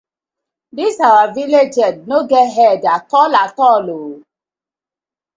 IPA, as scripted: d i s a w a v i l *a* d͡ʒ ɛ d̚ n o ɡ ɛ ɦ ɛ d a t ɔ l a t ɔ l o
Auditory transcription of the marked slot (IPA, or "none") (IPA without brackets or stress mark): e